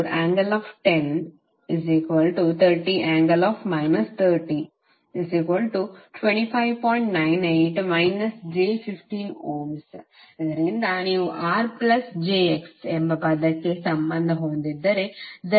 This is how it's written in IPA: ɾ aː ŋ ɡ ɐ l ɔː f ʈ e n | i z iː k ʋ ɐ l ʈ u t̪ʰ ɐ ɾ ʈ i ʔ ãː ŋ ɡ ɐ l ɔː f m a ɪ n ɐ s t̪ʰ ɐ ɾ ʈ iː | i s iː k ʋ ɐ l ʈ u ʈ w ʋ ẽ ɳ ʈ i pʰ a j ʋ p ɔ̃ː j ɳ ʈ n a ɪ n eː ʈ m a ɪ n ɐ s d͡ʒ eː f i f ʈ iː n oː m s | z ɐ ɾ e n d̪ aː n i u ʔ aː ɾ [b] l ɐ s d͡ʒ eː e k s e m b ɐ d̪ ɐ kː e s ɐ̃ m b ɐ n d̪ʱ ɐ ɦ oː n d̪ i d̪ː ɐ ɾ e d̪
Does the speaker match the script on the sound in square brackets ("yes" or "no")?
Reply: no